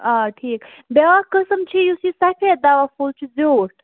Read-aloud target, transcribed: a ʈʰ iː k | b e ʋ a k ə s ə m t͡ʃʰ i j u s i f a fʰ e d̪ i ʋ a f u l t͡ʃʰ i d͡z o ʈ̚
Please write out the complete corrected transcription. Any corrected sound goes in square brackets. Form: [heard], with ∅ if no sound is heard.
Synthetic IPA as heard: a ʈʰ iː k | b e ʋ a k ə s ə m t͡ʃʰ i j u s i [s] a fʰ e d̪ [a] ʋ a f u l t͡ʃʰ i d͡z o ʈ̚